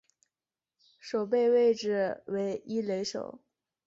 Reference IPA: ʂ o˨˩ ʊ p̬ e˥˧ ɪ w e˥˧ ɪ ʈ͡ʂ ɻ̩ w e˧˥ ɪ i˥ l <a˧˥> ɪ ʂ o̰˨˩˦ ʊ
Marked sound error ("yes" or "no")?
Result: yes